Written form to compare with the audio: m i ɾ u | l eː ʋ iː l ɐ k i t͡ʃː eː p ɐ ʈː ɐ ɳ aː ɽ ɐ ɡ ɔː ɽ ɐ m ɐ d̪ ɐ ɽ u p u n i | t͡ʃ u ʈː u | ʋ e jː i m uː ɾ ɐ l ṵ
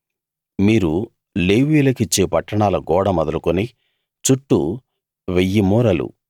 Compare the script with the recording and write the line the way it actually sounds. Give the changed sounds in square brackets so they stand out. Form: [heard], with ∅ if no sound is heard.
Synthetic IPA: m [iː] ɾ u | l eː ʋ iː l ɐ k i t͡ʃː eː p ɐ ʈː ɐ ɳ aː [l] ɐ ɡ ɔː ɽ ɐ m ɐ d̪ ɐ [l] u [k] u n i | t͡ʃ u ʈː u | ʋ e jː i m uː ɾ ɐ l ṵ